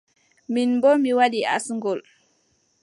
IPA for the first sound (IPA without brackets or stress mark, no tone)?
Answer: m